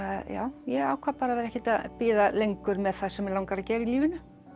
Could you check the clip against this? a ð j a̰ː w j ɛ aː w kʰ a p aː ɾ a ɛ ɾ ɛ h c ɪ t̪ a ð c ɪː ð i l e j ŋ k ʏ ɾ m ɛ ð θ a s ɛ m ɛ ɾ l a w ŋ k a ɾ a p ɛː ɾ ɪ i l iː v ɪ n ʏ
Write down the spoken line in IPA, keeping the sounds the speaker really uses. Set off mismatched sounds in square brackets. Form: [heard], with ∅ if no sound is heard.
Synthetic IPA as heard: a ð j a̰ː w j ɛ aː w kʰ a p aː ɾ a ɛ ɾ ɛ h c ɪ t̪ a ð [p] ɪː ð [a] l e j ŋ k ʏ ɾ m ɛ ð θ a s ɛ m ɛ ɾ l a w ŋ k a ɾ a [c] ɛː ɾ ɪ i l iː v ɪ n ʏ